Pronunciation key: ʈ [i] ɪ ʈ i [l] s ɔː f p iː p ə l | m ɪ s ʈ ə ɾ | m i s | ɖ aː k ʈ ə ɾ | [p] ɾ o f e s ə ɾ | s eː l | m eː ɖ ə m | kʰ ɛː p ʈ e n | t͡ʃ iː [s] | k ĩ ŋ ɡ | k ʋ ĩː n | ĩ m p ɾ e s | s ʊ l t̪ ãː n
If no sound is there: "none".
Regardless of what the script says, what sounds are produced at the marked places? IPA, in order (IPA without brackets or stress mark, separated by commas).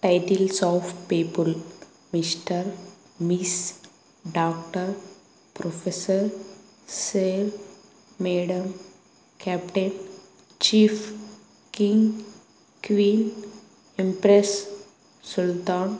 a, l, p, f